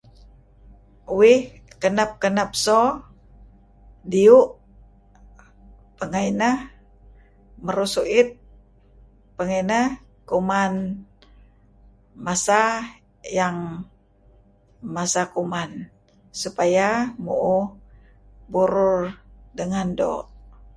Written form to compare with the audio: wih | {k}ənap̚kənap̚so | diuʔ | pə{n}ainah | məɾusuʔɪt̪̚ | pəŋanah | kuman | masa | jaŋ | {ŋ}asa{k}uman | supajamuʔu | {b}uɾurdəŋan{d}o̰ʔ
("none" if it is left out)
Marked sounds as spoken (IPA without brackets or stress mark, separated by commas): k, ŋ, m, k, b, d